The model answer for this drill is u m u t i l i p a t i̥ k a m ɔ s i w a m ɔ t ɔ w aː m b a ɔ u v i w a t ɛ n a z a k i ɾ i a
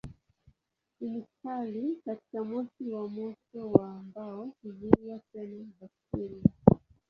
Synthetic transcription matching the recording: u m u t a l i k a t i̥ k a m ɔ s i w a m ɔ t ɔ w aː m b a ɔ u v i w a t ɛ n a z a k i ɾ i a